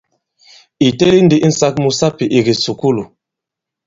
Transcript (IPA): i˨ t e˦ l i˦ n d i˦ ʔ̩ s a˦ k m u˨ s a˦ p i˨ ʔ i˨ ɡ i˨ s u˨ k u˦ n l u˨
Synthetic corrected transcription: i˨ t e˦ l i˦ n d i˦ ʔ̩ s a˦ k m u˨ s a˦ p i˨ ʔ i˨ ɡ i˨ s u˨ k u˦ l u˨